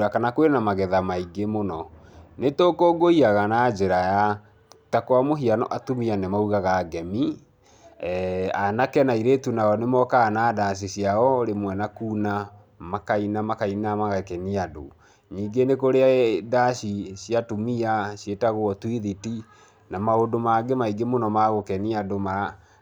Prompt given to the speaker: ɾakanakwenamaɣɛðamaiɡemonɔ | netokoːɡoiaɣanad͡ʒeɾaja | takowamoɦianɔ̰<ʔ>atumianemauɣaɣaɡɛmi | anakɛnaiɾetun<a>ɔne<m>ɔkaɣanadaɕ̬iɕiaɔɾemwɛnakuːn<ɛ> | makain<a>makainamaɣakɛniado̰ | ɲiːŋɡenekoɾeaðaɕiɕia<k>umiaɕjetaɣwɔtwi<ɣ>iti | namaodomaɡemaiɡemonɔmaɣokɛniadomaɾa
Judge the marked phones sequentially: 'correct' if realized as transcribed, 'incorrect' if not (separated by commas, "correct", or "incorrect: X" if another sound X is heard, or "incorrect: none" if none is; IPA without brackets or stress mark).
correct, correct, correct, incorrect: a, correct, incorrect: t, incorrect: ð